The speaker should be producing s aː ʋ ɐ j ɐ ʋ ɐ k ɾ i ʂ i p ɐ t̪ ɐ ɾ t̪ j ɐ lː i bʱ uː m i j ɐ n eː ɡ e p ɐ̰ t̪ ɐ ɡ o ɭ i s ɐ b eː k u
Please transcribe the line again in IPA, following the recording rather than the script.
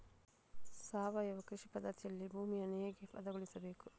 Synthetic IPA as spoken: s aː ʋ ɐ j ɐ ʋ ɐ k ɾ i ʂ i p ɐ d̪ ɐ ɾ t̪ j ɐ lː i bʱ uː m i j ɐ n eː ɡ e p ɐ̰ d̪ ɐ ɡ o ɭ i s ɐ b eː k u